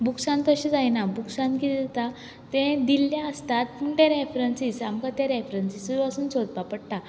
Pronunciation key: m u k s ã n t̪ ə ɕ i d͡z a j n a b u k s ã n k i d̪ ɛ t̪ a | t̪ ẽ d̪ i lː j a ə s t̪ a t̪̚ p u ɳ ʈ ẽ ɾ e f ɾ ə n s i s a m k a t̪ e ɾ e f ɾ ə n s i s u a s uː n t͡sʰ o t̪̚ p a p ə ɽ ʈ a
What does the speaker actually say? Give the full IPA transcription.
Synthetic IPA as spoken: b u k s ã n t̪ ə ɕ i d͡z a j n a b u k s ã n k i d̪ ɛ t̪ a | t̪ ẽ d̪ i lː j a ə s t̪ a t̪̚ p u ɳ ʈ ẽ ɾ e f ɾ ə n s i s a m k a t̪ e ɾ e f ɾ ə n s i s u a s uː n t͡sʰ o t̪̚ p a p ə ɽ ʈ a